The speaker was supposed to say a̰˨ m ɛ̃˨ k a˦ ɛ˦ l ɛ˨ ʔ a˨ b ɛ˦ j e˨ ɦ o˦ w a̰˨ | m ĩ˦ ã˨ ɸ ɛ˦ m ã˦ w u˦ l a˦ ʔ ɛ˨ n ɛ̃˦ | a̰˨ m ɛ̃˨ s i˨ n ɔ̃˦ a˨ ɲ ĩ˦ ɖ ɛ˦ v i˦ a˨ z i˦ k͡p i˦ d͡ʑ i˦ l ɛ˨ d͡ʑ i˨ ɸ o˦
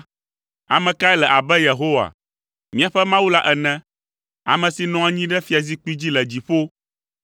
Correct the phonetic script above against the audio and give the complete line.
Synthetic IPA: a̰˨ m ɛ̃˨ k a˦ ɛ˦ l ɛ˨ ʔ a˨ b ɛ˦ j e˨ ɦ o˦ w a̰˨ | m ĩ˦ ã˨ ɸ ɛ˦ m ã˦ w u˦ l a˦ ʔ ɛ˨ n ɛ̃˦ | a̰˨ m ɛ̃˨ s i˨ n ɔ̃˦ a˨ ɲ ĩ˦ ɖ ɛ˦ f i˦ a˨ z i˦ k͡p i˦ d͡ʑ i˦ l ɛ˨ d͡ʑ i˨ ɸ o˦